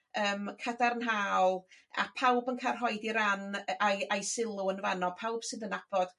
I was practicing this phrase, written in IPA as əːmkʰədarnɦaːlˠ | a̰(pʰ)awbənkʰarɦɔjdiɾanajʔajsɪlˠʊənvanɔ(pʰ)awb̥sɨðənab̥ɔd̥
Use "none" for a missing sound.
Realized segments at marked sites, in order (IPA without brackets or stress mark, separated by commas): pʰ, pʰ